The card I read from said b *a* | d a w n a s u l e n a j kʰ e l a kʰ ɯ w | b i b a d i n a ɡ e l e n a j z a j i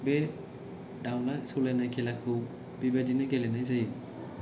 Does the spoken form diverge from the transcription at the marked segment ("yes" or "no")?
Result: yes